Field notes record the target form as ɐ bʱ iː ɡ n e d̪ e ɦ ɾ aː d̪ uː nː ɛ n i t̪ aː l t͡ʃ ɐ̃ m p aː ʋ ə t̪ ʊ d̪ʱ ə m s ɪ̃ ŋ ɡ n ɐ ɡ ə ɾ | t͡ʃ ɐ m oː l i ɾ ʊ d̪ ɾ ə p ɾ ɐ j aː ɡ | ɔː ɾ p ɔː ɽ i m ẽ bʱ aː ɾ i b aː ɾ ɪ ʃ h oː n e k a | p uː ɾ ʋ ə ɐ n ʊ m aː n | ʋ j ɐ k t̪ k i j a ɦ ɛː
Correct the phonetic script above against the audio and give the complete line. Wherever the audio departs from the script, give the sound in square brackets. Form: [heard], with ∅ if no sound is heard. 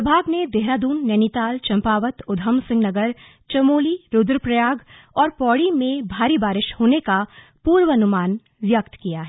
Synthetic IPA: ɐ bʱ [aː] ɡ n e d̪ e ɦ ɾ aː d̪ uː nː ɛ n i t̪ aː l t͡ʃ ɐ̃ m p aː ʋ ə t̪ ʊ d̪ʱ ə m s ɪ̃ ŋ ɡ n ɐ ɡ ə ɾ | t͡ʃ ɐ m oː l i ɾ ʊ d̪ ɾ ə p ɾ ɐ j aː ɡ | ɔː ɾ p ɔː ɽ i m ẽ bʱ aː ɾ i b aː ɾ ɪ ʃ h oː n e k a | p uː ɾ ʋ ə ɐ n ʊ m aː n | ʋ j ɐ k t̪ k i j a ɦ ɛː

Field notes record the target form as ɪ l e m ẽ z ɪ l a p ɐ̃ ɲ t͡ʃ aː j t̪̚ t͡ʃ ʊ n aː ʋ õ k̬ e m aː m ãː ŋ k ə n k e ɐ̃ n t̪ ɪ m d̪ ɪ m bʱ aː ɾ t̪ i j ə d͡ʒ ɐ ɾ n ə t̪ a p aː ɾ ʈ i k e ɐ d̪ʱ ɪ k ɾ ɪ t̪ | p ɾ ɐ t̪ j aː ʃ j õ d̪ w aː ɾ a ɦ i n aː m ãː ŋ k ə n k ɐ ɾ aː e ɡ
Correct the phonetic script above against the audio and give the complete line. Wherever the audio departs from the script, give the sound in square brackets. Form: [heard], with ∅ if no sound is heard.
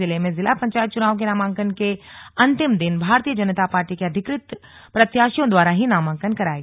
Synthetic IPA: ɪ l e m ẽ z ɪ l a p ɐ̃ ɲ t͡ʃ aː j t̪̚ t͡ʃ ʊ n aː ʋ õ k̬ e [n] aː m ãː ŋ k ə n k e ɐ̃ n t̪ ɪ m d̪ ɪ [n] bʱ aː ɾ t̪ i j ə d͡ʒ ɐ [∅] n ə t̪ a p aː ɾ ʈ i k e ɐ d̪ʱ ɪ k ɾ ɪ t̪ | p ɾ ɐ t̪ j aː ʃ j õ d̪ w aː ɾ a ɦ i n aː m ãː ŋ k ə n k ɐ ɾ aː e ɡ

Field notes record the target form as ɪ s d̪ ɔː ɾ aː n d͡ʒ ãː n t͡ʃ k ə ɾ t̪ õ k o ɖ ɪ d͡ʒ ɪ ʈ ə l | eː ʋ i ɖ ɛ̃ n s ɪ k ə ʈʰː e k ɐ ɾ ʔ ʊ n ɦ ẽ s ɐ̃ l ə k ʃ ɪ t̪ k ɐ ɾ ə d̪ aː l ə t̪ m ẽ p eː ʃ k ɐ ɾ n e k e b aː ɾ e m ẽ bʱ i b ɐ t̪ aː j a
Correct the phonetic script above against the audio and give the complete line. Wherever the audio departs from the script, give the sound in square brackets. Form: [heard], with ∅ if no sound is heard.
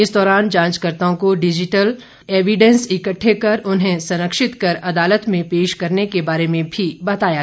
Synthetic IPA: ɪ s d̪ ɔː ɾ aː n d͡ʒ ãː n t͡ʃ k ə ɾ t̪ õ k o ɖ ɪ d͡ʒ ɪ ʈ ə l | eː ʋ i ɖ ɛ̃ n s ɪ k ə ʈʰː e k ɐ ɾ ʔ ʊ n ɦ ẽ s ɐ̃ [ɾ] ə k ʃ ɪ t̪ k ɐ ɾ [ɐ] d̪ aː l ə t̪ m ẽ p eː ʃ k ɐ ɾ n e k e b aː ɾ e m ẽ bʱ i b ɐ t̪ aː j a

